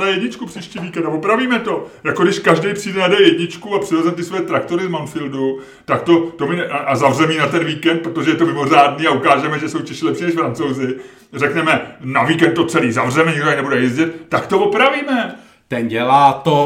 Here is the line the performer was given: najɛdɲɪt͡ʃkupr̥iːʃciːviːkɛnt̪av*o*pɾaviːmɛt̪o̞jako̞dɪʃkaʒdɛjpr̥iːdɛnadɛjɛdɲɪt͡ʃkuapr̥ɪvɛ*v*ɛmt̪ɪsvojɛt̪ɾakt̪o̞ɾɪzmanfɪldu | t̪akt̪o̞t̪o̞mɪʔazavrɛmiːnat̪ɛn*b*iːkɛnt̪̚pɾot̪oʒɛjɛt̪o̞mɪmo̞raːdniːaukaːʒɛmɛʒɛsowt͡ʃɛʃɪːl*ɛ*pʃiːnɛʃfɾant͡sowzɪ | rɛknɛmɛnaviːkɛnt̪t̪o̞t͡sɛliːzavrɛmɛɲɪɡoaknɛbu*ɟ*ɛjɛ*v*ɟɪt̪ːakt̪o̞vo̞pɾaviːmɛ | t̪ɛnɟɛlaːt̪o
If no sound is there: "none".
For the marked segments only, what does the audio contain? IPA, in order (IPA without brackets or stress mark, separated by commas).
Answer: o, z, v, ɛ, d, z